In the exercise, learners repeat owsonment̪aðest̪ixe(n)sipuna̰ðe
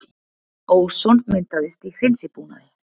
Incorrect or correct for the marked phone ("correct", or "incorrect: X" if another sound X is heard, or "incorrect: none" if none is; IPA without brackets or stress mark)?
correct